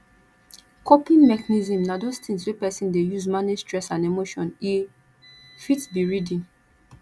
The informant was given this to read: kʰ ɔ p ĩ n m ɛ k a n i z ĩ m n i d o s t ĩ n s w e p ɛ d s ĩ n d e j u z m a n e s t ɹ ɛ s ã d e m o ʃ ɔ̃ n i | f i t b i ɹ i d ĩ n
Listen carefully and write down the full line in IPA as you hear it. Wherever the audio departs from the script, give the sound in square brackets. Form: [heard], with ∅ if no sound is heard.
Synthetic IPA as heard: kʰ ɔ p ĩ n m ɛ k a n i z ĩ m n [a] d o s t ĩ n s w e p ɛ [∅] s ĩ n d e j u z m a n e s t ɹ ɛ s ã [n] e m o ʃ ɔ̃ n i | f i t b i ɹ i d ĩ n